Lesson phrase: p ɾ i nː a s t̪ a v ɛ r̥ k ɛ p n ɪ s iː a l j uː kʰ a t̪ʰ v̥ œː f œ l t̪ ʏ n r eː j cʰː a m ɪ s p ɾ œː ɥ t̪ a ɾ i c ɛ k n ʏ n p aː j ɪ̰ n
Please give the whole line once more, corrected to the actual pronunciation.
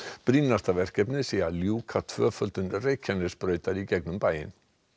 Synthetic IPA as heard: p ɾ i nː a s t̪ a v ɛ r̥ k ɛ p n ɪ s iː a l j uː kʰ a t̪ʰ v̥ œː f œ l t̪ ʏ n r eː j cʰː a n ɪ s p ɾ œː ɥ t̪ a ɾ i c ɛ k n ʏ m p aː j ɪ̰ n